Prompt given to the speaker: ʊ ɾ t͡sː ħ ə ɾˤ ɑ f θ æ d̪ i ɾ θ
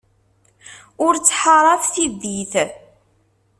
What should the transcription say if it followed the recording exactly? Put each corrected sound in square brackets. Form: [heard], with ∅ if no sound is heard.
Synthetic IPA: ʊ ɾ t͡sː ħ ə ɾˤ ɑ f θ [i] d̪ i [∅] θ